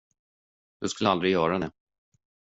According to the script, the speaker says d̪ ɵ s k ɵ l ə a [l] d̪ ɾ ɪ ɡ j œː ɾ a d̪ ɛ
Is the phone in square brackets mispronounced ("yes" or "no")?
no